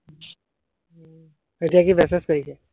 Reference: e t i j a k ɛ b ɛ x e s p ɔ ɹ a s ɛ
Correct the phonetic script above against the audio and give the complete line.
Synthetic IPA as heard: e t i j a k i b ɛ s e s k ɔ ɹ i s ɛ